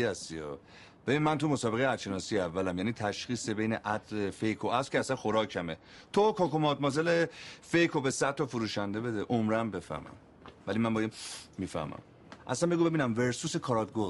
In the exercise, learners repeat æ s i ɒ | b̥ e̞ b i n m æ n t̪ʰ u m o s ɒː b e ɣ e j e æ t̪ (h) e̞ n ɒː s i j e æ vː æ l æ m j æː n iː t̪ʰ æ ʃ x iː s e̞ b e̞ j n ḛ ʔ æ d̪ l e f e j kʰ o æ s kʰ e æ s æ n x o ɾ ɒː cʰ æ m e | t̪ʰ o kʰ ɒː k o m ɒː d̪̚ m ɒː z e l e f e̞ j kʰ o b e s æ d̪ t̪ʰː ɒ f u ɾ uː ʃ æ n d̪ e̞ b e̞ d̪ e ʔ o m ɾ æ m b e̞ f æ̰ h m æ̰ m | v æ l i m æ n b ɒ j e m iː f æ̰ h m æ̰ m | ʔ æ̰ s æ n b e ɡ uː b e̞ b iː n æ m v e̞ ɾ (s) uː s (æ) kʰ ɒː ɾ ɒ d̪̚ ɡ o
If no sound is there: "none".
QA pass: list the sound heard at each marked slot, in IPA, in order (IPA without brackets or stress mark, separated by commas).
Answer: ʃ, s, e